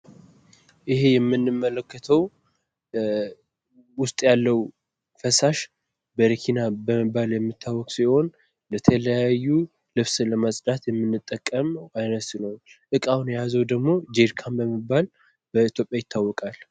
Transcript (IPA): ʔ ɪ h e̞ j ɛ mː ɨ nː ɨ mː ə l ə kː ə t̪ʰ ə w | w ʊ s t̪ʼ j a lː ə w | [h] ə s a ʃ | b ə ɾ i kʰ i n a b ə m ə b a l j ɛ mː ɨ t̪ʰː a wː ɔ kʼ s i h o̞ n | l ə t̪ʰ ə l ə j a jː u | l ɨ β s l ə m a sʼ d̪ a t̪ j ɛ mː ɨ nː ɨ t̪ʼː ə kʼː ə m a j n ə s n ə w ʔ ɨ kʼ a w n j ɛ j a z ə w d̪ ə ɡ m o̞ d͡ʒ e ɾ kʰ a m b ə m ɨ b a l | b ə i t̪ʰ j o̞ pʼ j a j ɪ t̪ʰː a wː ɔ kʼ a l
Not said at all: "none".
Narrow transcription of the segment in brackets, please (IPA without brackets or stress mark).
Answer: f